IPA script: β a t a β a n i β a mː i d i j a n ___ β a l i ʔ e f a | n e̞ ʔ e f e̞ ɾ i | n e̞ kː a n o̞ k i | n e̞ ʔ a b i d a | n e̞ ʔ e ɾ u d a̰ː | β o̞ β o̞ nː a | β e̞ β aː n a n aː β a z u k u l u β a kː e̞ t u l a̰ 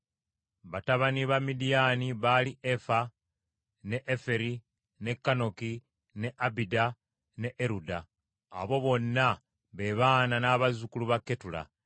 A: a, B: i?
B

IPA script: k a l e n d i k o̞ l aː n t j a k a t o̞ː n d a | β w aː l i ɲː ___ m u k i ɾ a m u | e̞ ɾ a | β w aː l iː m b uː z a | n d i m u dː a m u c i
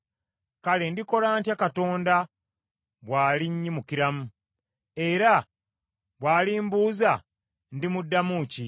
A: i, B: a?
A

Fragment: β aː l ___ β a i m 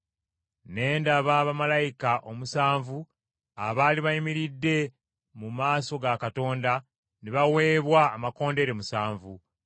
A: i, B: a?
A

